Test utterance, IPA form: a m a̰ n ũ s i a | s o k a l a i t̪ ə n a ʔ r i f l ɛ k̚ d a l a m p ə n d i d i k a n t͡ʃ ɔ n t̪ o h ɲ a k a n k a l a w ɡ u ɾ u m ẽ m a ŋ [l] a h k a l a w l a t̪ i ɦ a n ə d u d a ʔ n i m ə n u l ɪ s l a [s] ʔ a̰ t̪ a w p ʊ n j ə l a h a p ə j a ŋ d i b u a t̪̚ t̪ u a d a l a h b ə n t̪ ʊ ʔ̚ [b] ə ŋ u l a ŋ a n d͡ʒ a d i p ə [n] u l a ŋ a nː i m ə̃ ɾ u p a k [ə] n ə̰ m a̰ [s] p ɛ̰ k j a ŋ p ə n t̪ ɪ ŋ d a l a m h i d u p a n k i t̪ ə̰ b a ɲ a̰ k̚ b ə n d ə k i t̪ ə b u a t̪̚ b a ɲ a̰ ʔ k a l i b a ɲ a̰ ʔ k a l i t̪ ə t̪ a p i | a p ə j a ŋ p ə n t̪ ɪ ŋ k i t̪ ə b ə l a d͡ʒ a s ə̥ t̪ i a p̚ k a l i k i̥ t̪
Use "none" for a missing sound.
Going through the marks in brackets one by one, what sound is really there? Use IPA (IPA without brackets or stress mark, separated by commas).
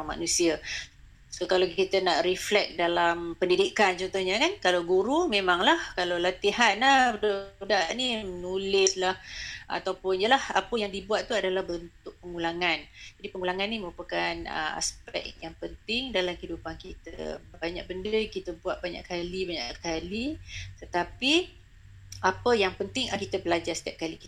l, h, p, ŋ, a, s